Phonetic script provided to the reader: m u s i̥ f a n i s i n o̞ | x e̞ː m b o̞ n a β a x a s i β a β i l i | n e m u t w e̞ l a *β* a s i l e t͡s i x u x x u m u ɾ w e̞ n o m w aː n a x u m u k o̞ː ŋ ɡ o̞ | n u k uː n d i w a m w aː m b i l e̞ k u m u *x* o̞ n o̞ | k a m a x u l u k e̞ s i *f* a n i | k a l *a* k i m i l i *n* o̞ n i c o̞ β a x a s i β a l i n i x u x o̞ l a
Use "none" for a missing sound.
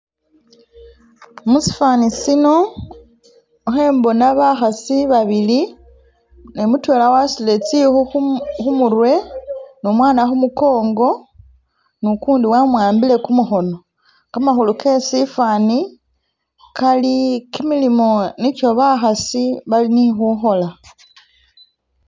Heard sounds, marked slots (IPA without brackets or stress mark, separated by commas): w, x, f, i, m